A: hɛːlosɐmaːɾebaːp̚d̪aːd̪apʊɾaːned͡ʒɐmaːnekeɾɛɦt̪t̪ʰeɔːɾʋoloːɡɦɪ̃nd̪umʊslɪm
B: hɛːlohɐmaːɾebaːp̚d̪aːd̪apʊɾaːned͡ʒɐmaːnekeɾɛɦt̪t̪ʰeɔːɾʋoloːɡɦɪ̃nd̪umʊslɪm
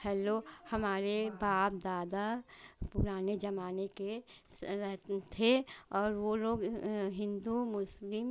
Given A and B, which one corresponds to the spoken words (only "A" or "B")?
B